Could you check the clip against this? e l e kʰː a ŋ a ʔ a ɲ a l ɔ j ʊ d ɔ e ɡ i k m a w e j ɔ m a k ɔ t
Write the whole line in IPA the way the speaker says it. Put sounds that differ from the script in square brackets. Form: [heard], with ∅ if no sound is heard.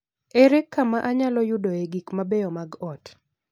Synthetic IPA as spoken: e [ɾ] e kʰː a [m] a ʔ a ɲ a l ɔ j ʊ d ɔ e ɡ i k m a [b] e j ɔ m a [ɡ] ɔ t